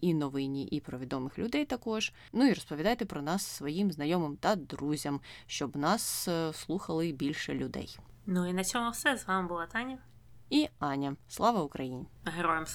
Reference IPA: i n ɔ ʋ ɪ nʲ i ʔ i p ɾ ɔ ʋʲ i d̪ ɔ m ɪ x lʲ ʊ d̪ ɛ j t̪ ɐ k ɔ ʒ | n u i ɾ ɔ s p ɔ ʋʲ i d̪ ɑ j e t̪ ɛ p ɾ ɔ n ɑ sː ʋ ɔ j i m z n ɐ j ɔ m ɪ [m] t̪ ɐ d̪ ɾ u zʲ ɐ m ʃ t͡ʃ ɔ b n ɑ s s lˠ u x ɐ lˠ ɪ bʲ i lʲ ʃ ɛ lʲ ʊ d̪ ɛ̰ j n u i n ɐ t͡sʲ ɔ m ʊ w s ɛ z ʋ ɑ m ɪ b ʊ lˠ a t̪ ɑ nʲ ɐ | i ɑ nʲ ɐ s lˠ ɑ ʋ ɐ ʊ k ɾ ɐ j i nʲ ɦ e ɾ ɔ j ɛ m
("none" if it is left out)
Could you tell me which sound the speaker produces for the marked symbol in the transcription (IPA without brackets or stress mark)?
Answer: m